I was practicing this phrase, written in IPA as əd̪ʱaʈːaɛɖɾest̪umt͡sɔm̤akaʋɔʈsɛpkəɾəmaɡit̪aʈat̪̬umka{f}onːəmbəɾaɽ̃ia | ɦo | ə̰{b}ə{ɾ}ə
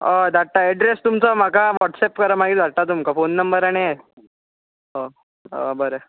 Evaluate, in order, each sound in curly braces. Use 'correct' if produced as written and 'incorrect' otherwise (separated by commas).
correct, correct, correct